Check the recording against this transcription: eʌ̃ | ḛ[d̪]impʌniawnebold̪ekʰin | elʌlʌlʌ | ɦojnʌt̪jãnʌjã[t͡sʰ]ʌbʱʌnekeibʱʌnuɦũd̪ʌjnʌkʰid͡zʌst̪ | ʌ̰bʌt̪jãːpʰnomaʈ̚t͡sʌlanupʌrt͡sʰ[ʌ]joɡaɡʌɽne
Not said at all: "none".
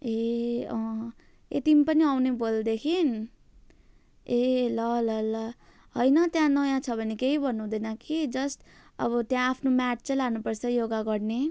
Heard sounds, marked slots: t̪, t͡sʰ, ʌ

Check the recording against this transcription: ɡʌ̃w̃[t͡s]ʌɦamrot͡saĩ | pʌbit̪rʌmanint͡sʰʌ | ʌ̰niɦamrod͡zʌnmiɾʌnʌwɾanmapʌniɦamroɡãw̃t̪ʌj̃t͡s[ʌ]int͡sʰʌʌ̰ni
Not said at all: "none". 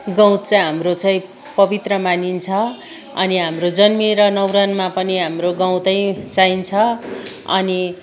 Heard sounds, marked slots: t͡s, a

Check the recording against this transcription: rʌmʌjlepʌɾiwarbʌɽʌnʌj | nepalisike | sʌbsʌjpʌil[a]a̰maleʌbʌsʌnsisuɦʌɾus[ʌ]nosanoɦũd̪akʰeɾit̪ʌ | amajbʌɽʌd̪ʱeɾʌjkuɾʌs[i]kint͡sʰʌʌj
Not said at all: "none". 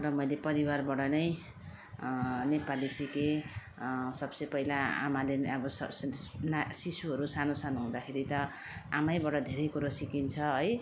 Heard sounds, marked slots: a, a, i

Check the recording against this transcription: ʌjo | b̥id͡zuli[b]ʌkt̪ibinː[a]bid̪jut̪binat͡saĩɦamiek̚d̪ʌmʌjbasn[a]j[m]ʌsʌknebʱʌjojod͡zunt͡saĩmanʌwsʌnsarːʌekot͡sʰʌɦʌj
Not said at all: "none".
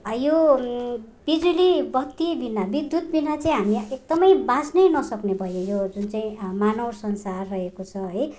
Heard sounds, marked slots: b, a, ʌ, n

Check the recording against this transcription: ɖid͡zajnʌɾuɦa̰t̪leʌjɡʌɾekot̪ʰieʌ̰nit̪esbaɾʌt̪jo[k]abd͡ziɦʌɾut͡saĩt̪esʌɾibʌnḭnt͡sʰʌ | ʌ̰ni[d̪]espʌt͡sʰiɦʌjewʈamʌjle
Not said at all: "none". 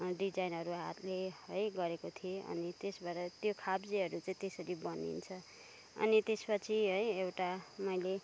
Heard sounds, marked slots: kʰ, t̪

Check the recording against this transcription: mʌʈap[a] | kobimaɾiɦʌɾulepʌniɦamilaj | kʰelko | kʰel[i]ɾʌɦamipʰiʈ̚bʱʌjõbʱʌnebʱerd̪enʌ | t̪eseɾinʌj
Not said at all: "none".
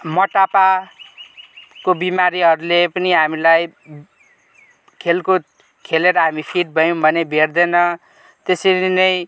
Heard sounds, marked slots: a, e

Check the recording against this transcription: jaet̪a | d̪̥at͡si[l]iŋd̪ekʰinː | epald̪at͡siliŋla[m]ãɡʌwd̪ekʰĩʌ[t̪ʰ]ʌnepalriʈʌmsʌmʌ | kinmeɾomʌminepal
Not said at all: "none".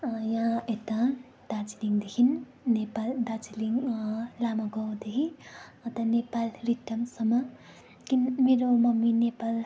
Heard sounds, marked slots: l, m, t̪

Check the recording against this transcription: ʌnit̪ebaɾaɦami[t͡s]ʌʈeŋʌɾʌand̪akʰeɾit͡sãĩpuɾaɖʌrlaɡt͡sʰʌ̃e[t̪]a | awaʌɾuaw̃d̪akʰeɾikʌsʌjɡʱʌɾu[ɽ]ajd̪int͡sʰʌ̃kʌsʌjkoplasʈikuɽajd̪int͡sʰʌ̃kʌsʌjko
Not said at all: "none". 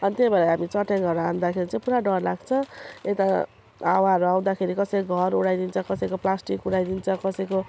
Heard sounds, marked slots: t͡s, t̪, ɽ

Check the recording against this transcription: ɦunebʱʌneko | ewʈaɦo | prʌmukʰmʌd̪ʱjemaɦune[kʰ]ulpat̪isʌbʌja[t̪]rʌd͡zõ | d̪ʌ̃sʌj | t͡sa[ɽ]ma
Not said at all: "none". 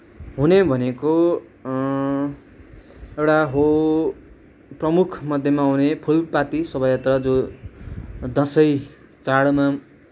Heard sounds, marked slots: pʰ, t̪, ɽ

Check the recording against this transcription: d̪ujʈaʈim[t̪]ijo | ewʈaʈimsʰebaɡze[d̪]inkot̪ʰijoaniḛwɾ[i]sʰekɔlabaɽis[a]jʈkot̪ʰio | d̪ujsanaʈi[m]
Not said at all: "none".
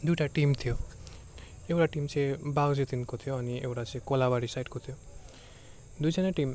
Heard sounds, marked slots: t̪ʰ, t̪, a, a, m

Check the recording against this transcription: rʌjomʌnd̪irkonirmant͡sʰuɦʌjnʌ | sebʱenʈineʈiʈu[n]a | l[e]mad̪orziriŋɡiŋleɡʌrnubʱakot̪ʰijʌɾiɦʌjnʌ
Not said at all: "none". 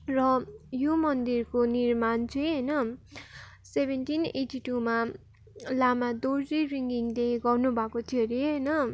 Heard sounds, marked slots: m, a

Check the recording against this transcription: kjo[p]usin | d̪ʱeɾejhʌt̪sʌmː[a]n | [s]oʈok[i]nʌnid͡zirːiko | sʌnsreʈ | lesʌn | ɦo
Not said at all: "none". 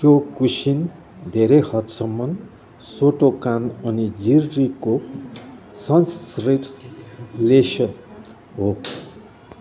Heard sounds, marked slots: k, ʌ, s, a

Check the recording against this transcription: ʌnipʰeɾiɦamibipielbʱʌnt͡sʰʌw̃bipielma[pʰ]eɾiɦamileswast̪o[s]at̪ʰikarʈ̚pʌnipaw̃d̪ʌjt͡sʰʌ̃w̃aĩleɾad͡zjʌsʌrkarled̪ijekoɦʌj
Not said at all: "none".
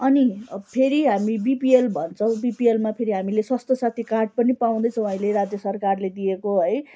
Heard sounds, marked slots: pʰ, s

